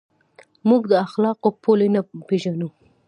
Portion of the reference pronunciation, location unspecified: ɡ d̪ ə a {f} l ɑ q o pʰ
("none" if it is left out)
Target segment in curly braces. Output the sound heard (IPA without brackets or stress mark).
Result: x